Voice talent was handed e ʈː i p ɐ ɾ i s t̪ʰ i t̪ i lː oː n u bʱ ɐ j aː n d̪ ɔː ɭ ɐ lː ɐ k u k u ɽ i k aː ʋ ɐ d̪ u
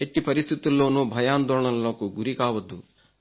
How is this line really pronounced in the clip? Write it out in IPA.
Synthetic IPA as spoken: e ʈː i p ɐ ɾ i s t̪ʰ i t̪ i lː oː n u bʱ ɐ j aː n d̪ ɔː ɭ ɐ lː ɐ k u ɡ u ɾ i k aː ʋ ɐ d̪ u